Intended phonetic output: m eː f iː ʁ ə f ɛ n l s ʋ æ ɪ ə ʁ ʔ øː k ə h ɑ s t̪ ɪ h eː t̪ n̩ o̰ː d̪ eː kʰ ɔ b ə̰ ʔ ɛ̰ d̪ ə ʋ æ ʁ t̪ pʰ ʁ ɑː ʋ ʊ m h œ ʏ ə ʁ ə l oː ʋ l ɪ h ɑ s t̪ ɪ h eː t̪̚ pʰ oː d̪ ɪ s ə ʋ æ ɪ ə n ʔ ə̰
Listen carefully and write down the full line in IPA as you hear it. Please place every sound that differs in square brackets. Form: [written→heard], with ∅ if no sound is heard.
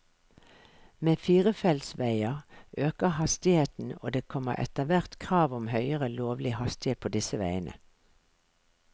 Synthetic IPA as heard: m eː f iː ʁ ə f ɛ [n→∅] l s ʋ æ ɪ ə ʁ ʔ øː k ə h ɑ s t̪ ɪ h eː t̪ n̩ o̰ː d̪ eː kʰ ɔ [b→m] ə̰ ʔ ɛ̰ [d̪→t̪] ə ʋ æ ʁ t̪ [pʰ→kʰ] ʁ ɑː ʋ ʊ m h œ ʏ ə ʁ ə l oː ʋ l ɪ h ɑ s t̪ ɪ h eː t̪̚ pʰ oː d̪ ɪ s ə ʋ æ ɪ ə n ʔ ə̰

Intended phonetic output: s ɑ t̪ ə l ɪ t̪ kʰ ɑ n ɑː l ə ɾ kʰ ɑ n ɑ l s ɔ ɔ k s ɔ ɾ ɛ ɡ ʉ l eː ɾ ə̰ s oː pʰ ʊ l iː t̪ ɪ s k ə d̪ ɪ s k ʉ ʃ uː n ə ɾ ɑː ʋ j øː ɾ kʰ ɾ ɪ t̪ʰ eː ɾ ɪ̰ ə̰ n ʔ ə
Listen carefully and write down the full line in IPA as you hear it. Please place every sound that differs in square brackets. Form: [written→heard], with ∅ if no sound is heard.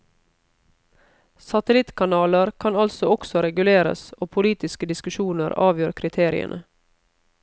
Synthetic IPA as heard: s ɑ t̪ ə l ɪ t̪ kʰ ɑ n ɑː l ə ɾ kʰ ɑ n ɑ l s ɔ ɔ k s ɔ ɾ ɛ ɡ ʉ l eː ɾ ə̰ s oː pʰ ʊ l iː t̪ ɪ s k ə d̪ ɪ s k ʉ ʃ uː n ə ɾ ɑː ʋ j øː ɾ kʰ ɾ ɪ t̪ʰ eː ɾ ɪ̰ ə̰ n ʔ ə

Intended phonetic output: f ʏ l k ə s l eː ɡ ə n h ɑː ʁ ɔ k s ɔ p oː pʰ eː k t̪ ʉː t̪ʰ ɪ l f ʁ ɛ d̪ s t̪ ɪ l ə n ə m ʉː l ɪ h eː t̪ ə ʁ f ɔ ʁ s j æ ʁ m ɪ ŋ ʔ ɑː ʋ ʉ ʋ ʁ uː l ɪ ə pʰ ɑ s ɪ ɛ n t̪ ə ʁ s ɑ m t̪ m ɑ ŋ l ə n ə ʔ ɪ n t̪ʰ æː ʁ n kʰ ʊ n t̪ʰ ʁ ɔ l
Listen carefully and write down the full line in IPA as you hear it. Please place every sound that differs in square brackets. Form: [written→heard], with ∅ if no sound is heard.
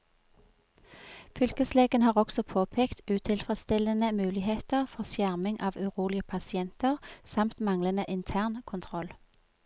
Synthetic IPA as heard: f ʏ l k ə s l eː ɡ ə n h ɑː ʁ ɔ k s ɔ [p→pʰ] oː pʰ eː k t̪ ʉː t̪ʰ ɪ l f ʁ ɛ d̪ s t̪ ɪ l ə n ə m ʉː l ɪ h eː t̪ ə ʁ f ɔ ʁ s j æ ʁ m ɪ ŋ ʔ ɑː ʋ ʉ [ʋ→∅] ʁ uː l ɪ ə pʰ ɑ s ɪ ɛ n t̪ ə ʁ s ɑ m t̪ m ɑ ŋ l ə n ə ʔ ɪ n t̪ʰ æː ʁ n kʰ ʊ n t̪ʰ ʁ ɔ l

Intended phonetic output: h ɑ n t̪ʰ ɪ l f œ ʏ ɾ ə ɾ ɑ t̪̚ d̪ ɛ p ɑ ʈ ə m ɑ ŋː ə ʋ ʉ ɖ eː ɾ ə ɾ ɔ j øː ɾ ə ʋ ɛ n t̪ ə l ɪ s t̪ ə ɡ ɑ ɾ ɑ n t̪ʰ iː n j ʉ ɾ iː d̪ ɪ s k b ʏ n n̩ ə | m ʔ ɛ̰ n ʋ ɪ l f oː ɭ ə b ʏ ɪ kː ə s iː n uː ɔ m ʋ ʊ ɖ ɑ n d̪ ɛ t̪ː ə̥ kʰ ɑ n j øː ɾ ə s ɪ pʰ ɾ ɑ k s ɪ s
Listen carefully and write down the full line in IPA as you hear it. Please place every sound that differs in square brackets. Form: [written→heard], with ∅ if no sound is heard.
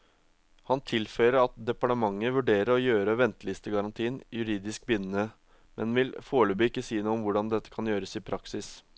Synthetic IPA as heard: h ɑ n t̪ʰ ɪ l f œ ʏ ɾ ə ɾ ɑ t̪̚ d̪ ɛ p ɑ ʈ ə m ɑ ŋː ə ʋ ʉ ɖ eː ɾ ə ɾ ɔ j øː ɾ ə ʋ ɛ n t̪ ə l ɪ s t̪ ə ɡ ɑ ɾ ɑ n t̪ʰ iː n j ʉ ɾ iː d̪ ɪ s k b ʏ n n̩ ə | m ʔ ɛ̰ n ʋ ɪ l f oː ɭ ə b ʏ ɪ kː ə s iː n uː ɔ m ʋ ʊ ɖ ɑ n d̪ ɛ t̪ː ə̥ kʰ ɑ n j øː ɾ ə s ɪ pʰ ɾ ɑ k s ɪ s

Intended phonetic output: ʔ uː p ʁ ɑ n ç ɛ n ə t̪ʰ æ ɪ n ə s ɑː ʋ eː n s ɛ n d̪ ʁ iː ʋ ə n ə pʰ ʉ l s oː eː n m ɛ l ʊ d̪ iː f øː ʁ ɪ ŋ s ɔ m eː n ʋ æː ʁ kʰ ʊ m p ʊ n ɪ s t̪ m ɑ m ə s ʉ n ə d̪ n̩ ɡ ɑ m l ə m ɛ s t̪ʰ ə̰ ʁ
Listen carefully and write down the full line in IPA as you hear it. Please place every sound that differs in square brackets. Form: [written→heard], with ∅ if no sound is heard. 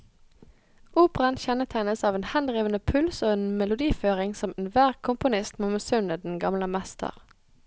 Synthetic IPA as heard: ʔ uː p ʁ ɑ n ç ɛ n ə t̪ʰ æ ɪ n ə s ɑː ʋ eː n [s→h] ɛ n d̪ ʁ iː ʋ ə n ə pʰ ʉ l s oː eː n m ɛ l ʊ d̪ iː f øː ʁ ɪ ŋ s ɔ m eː n ʋ æː ʁ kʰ ʊ m p ʊ n ɪ s t̪ m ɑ m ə s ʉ n ə d̪ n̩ ɡ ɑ m l ə m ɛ s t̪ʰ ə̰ ʁ

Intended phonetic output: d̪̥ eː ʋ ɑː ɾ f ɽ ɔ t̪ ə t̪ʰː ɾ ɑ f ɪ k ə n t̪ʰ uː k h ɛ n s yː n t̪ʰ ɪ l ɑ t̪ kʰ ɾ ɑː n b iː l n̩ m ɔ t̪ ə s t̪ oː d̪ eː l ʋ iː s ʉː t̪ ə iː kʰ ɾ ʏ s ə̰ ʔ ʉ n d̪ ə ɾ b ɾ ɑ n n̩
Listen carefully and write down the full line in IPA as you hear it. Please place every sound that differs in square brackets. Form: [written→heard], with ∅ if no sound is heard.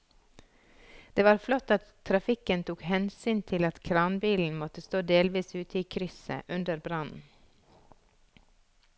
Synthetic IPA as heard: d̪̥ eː ʋ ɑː ɾ f [ɽ→l] ɔ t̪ [ə→ɑ] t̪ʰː ɾ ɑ f ɪ k ə n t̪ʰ uː k h ɛ n s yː n t̪ʰ ɪ l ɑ t̪ kʰ ɾ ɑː n b iː l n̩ m ɔ t̪ ə s t̪ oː d̪ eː l ʋ iː s ʉː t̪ ə iː kʰ ɾ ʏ s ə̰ ʔ ʉ n d̪ ə ɾ b ɾ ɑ n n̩

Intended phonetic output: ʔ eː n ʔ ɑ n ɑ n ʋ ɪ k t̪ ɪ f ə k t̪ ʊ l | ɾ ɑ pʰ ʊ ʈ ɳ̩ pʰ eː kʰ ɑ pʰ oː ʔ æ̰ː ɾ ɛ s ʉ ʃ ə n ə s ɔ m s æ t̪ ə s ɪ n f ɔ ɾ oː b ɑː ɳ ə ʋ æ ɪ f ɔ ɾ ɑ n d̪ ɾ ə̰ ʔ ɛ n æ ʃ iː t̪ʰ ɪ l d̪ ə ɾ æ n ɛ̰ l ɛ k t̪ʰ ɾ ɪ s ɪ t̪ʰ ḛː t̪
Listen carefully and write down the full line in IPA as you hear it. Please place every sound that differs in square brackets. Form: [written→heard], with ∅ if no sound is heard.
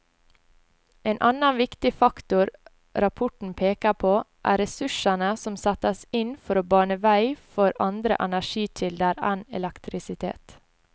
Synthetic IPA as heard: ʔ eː n ʔ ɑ n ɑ n ʋ ɪ k t̪ ɪ f [ə→ɑ] k t̪ ʊ [l→ɾ] | ɾ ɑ pʰ ʊ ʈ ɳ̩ pʰ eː [kʰ→k] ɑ pʰ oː ʔ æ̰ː ɾ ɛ s ʉ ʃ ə n ə s ɔ m s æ t̪ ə s ɪ n f ɔ ɾ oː b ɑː ɳ ə ʋ æ ɪ f ɔ ɾ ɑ n d̪ ɾ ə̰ ʔ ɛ n æ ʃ iː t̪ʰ ɪ l d̪ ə ɾ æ n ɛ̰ l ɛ k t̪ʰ ɾ ɪ s ɪ t̪ʰ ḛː t̪

